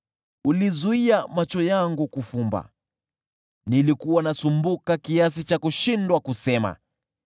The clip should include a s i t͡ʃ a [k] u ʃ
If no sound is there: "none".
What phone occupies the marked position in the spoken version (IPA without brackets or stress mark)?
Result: k